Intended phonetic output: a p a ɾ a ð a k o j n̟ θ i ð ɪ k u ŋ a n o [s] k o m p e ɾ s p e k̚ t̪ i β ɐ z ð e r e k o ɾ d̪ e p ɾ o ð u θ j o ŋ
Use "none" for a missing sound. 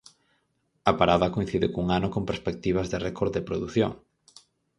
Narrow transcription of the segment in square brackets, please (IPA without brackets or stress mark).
none